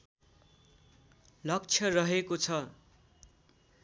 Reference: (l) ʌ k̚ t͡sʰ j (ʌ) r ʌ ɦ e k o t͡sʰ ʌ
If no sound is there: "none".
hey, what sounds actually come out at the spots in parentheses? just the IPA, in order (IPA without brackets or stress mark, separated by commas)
l, ʌ